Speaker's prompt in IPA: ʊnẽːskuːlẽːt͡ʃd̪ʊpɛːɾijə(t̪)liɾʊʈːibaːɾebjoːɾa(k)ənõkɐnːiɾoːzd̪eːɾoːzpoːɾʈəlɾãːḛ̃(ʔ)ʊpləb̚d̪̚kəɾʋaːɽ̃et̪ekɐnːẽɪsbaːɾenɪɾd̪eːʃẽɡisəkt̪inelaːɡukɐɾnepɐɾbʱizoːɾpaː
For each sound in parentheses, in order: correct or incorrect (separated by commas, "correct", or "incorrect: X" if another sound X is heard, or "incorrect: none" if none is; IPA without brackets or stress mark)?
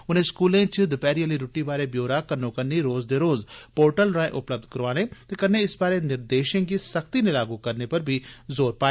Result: incorrect: none, correct, correct